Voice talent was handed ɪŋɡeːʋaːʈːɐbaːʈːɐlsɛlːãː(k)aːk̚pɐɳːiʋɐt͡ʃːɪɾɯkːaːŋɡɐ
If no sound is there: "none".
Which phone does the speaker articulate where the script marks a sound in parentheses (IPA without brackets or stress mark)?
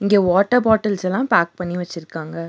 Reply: p